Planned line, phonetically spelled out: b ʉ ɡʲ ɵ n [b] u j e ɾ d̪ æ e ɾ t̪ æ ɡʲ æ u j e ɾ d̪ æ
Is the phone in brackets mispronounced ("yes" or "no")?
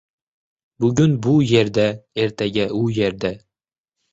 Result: no